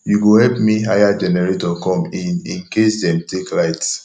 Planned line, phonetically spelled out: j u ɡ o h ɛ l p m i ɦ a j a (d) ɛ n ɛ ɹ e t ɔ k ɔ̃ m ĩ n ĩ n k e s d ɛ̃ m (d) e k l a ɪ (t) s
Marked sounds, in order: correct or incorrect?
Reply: incorrect: d͡ʒ, incorrect: t, correct

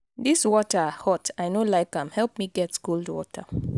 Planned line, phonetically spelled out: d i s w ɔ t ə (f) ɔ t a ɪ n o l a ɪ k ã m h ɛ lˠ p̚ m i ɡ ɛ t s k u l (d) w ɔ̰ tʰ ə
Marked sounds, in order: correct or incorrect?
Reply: incorrect: h, correct

